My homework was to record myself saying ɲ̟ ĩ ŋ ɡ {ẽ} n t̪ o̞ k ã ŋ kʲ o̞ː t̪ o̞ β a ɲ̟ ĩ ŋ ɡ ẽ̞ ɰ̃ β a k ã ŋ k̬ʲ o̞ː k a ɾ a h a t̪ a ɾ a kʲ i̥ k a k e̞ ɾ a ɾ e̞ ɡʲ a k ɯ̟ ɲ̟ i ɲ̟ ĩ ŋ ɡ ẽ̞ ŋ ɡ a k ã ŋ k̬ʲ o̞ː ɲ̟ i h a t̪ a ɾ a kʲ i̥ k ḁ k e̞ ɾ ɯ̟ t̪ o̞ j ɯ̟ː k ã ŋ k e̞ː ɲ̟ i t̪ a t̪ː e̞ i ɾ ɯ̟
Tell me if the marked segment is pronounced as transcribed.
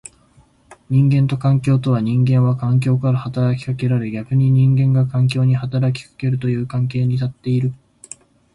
yes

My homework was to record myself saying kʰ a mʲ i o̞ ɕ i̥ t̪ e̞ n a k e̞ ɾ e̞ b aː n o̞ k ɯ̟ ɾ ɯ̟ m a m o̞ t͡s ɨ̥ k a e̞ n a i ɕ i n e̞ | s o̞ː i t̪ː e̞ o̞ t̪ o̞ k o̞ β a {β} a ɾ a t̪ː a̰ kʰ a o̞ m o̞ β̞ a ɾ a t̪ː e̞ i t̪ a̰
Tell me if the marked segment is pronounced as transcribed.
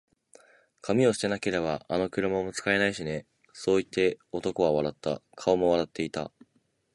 yes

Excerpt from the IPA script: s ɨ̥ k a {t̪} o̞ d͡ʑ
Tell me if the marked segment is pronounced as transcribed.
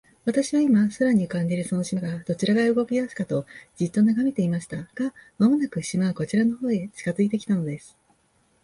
yes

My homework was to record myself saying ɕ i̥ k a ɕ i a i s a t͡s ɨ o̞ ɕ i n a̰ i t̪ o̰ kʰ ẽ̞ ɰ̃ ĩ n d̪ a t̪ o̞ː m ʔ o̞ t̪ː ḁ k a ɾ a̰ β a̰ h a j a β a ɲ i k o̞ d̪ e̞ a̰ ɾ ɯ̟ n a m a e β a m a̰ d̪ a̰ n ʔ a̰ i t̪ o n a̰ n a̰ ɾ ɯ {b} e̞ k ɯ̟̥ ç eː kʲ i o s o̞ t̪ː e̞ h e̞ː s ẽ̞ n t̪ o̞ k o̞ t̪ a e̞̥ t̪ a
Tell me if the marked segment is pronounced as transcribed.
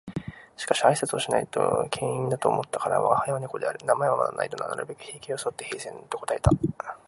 yes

